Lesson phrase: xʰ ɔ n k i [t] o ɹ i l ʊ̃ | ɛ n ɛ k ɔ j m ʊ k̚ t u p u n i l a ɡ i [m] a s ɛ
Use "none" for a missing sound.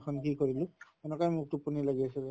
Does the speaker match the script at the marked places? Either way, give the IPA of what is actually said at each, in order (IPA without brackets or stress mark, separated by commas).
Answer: k, none